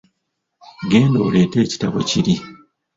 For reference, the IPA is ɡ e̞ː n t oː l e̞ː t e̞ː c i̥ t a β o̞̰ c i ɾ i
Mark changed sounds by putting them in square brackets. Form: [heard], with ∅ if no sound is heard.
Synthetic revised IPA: ɡ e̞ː n [d] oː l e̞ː t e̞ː c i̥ t a β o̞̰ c i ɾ i